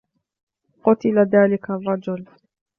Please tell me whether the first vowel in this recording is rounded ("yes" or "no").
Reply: yes